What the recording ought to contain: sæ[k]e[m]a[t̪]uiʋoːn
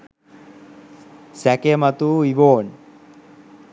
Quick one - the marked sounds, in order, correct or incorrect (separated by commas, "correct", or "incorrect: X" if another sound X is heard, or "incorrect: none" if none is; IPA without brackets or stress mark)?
correct, correct, correct